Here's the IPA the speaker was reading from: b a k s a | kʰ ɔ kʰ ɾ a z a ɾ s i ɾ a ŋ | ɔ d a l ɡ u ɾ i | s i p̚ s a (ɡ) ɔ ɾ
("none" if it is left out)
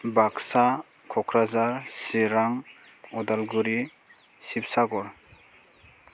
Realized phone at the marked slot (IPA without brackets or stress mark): ɡ